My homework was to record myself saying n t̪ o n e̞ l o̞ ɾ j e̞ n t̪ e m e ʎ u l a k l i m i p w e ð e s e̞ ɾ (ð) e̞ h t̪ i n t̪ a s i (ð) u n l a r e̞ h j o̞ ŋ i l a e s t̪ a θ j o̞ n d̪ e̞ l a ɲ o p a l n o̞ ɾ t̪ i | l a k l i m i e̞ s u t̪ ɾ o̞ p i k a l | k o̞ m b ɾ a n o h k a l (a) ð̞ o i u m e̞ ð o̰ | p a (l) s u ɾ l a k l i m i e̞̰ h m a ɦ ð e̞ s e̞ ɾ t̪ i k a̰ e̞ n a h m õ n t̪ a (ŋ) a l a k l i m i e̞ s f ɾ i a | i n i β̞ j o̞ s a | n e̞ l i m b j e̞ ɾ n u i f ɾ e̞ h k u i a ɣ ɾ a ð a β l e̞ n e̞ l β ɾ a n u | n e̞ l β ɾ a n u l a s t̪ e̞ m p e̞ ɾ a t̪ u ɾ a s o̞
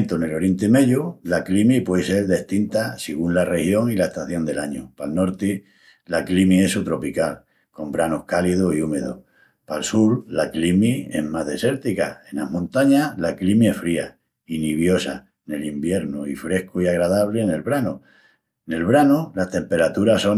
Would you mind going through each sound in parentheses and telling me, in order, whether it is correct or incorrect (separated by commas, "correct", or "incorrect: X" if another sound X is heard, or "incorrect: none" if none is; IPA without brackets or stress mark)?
correct, incorrect: ɣ, incorrect: i, correct, incorrect: ɲ